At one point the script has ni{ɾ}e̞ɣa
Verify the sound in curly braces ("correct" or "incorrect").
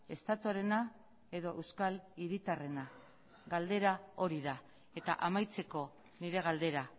correct